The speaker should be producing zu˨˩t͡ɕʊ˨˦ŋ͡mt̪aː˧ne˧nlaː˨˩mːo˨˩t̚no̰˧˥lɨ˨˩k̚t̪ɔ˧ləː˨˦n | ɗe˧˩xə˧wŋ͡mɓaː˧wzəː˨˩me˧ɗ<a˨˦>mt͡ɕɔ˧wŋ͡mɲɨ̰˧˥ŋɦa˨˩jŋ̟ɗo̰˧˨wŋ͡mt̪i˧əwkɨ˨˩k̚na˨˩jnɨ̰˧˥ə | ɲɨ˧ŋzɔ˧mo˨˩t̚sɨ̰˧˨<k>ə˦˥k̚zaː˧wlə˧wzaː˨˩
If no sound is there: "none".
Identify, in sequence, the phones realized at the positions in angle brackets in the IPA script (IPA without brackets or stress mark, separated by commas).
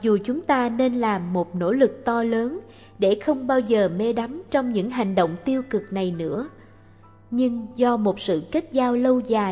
a˨˦, k